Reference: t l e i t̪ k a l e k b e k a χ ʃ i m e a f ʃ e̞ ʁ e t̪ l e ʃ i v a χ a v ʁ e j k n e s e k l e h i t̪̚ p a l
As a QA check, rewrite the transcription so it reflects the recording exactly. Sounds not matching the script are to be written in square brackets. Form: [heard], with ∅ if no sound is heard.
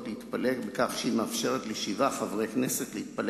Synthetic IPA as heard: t l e i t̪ [p] a l e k b e k a χ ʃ i m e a f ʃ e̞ ʁ e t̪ l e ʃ i v a χ a v ʁ e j k n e s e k l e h i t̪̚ p a l